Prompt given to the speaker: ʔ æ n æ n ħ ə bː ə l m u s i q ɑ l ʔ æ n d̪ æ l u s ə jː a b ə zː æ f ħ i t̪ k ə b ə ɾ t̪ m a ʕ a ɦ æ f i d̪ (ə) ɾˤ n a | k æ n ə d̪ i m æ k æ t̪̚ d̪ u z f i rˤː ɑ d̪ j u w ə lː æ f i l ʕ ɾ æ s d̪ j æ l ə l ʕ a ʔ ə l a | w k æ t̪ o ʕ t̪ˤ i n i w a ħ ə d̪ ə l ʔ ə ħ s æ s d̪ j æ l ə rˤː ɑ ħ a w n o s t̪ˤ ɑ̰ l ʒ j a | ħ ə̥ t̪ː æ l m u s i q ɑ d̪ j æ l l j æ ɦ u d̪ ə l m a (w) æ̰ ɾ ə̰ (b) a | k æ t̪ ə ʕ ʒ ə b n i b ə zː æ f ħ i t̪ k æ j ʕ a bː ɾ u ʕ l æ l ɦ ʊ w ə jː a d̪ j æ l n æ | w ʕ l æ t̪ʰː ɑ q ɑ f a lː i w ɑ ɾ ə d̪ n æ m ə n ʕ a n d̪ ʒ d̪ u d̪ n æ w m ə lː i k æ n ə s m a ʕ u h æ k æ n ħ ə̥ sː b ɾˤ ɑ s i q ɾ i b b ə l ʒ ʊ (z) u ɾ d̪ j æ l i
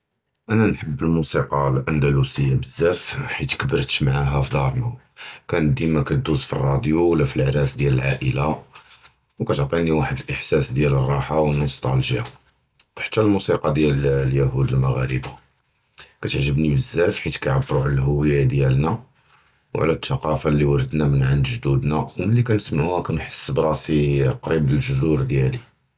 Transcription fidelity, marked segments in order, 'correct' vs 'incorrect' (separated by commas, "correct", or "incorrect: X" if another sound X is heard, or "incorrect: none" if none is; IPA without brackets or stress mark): incorrect: ɑ, incorrect: ɣ, correct, correct